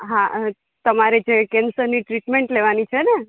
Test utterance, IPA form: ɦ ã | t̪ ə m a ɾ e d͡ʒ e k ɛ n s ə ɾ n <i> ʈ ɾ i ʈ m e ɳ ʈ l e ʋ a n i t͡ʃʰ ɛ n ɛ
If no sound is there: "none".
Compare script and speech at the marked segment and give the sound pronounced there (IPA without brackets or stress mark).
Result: i